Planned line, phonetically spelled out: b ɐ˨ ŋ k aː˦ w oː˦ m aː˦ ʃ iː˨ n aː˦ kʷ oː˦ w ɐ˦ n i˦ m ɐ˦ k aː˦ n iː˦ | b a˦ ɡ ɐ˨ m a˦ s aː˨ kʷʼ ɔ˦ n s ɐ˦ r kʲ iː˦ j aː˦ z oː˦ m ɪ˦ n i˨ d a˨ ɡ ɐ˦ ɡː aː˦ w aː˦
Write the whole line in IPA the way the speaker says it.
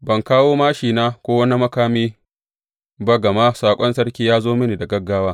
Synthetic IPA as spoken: b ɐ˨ ŋ k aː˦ w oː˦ m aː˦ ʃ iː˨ n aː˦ kʷ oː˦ w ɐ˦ n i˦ m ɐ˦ k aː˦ m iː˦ | b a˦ ɡ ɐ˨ m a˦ s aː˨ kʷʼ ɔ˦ n s ɐ˦ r kʲ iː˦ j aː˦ z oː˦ m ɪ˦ n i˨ d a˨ ɡ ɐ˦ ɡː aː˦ w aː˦